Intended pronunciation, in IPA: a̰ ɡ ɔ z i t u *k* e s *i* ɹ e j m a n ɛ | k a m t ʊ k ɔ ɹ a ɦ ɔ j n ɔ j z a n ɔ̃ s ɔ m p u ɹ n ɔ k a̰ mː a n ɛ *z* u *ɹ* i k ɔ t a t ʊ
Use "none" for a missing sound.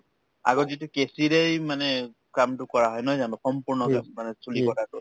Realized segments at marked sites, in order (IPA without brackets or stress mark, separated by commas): k, i, s, l